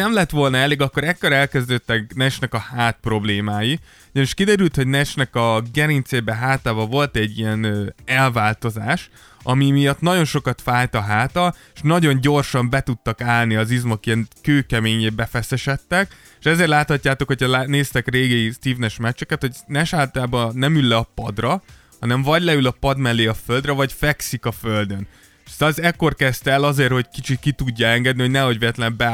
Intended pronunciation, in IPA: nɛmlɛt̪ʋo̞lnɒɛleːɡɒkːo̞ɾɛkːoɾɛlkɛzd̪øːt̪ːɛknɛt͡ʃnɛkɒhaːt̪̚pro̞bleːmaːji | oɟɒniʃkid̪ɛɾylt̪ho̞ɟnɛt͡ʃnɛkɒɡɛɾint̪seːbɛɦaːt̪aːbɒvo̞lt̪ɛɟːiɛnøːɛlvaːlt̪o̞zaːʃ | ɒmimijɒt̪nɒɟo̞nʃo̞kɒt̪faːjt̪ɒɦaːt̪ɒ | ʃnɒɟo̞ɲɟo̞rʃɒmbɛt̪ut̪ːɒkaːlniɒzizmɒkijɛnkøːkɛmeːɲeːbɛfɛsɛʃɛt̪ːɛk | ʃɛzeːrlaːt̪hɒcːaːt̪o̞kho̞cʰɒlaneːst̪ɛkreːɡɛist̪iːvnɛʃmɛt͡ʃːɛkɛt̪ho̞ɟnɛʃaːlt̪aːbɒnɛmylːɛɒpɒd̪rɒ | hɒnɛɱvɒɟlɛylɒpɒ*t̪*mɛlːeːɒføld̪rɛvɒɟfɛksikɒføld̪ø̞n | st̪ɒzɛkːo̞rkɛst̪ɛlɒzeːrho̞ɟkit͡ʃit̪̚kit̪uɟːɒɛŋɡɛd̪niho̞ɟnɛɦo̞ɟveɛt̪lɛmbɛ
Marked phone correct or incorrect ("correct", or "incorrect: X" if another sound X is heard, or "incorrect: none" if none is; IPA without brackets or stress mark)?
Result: incorrect: d̪